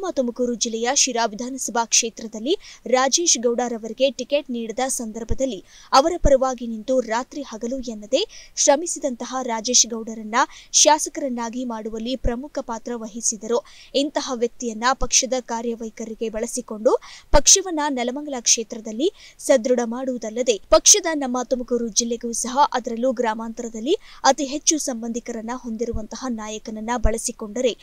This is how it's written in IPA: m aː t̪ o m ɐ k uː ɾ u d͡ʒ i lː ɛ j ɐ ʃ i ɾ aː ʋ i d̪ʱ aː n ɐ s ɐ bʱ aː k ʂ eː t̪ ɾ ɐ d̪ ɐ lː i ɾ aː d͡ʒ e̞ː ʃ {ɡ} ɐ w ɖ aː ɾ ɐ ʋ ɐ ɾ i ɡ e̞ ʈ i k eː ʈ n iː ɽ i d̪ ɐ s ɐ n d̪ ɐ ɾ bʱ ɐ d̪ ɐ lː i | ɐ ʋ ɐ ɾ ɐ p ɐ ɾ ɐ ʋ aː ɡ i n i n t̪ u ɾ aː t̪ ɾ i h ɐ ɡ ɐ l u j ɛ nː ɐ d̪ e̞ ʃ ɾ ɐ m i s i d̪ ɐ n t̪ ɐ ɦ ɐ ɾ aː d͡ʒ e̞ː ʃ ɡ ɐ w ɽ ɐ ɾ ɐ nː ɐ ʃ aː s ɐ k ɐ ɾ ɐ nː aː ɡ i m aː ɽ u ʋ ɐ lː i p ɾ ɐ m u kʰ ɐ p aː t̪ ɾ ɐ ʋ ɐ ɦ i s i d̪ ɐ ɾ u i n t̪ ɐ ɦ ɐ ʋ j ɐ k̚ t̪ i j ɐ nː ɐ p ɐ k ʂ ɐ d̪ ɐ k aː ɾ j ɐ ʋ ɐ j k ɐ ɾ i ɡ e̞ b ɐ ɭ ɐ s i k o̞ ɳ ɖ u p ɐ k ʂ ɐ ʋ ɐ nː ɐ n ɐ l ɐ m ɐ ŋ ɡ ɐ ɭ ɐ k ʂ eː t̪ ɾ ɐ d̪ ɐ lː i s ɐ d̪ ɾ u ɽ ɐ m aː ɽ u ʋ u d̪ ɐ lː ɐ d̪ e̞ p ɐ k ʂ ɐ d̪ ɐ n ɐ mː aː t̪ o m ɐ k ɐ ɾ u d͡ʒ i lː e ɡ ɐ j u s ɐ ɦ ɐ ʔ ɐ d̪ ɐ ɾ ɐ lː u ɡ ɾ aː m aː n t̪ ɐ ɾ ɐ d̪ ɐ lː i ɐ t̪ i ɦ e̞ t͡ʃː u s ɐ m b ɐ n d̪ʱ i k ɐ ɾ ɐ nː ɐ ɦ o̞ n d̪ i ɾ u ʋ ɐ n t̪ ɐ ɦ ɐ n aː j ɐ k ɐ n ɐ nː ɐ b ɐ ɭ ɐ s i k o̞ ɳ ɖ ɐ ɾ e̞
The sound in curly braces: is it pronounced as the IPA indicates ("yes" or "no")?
yes